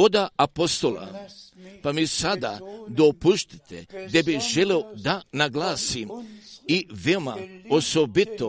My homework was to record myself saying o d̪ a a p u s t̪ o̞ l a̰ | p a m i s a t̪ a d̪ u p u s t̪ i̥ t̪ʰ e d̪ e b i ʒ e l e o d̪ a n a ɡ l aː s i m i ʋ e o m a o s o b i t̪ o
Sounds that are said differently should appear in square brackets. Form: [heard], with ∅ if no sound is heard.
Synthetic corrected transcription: o d̪ a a p [o] s t̪ o̞ l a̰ | p a m i s a [d̪] a d̪ [o] p u [ʃ] t̪ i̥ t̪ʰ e d̪ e b i ʒ e l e o d̪ a n a ɡ l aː s i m i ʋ e o m a o s o b i t̪ o